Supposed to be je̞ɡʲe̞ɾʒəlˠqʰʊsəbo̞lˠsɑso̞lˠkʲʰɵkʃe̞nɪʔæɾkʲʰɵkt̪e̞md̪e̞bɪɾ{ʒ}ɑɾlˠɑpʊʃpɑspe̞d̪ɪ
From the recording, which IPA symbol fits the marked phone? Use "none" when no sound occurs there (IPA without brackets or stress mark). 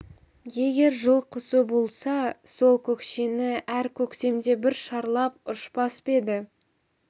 ʃ